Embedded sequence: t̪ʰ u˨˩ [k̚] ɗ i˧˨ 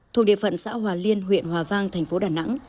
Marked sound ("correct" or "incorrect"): correct